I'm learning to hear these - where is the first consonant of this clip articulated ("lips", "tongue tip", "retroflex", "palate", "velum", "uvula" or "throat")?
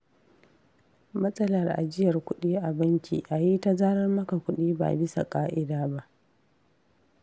lips